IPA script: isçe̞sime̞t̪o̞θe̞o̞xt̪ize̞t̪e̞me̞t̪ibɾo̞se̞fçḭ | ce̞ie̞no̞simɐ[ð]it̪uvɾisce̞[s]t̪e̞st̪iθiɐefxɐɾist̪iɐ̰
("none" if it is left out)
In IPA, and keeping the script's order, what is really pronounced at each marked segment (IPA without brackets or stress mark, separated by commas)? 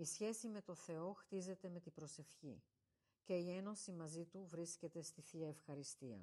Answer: z, none